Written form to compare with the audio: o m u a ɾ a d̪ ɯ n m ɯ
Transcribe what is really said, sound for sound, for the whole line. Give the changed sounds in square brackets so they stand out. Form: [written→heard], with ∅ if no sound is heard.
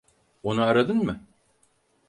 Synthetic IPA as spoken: o [m→n] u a ɾ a d̪ ɯ n m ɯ